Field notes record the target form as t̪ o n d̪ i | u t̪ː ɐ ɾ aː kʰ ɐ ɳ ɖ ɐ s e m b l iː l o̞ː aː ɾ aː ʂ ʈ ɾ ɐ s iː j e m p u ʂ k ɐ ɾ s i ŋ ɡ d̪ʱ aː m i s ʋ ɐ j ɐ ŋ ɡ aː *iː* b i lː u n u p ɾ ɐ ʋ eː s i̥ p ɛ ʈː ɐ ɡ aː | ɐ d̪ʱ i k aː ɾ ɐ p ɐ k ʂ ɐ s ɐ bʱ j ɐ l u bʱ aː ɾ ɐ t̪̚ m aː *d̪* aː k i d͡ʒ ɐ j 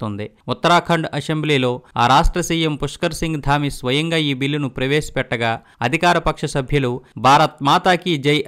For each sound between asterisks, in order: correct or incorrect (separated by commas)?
correct, incorrect